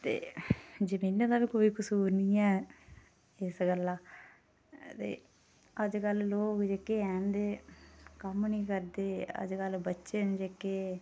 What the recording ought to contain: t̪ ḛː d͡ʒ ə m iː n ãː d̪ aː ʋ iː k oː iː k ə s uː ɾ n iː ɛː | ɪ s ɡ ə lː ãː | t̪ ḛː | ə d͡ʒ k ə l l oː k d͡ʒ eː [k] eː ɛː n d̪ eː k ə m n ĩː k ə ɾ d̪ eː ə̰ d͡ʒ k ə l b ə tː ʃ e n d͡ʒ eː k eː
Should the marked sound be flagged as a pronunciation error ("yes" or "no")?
no